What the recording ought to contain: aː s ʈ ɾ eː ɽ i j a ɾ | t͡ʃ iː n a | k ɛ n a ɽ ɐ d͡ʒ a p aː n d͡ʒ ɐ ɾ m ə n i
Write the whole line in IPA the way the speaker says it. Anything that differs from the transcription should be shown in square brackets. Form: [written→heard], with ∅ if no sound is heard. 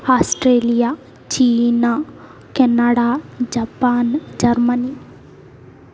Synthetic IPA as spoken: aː s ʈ ɾ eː [ɽ→l] i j a [ɾ→∅] | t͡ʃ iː n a | k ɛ n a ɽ [ɐ→a] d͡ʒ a p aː n d͡ʒ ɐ ɾ m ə n i

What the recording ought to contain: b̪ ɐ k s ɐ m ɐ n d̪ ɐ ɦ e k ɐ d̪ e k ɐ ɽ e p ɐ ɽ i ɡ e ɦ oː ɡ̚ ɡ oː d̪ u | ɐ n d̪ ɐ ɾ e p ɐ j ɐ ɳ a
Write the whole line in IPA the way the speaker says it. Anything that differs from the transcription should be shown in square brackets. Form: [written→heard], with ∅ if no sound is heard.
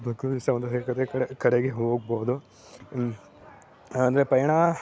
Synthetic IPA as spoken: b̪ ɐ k s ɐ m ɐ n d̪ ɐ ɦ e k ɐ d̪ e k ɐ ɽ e [p→k] ɐ ɽ [i→e] ɡ e ɦ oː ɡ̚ [ɡ→b] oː d̪ u | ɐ n d̪ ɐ ɾ e p ɐ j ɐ ɳ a

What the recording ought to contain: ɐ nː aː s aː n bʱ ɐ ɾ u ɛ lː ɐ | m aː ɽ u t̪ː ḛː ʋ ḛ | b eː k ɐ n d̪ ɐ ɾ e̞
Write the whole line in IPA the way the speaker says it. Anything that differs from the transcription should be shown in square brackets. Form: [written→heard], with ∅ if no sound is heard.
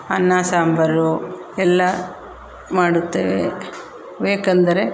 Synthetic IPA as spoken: ɐ nː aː s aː [n→m] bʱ ɐ ɾ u ɛ lː ɐ | m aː ɽ u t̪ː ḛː ʋ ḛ | b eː k ɐ n d̪ ɐ ɾ e̞

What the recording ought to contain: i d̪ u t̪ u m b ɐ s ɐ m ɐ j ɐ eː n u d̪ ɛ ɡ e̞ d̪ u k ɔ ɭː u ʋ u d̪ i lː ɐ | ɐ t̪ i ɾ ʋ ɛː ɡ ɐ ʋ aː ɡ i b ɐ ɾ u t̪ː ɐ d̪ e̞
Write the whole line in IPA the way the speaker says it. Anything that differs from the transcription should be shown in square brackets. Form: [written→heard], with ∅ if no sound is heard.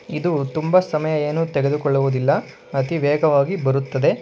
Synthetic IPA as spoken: i d̪ u t̪ u m b ɐ s ɐ m ɐ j ɐ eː n u [d̪→t̪] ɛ ɡ e̞ d̪ u k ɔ ɭː u ʋ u d̪ i lː ɐ | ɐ t̪ i [ɾ→∅] ʋ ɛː ɡ ɐ ʋ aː ɡ i b ɐ ɾ u t̪ː ɐ d̪ e̞

